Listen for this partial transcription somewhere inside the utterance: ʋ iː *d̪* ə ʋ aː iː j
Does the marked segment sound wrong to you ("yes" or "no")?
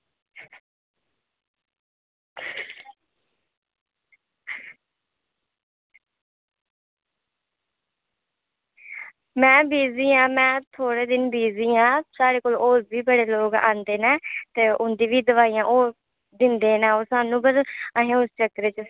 no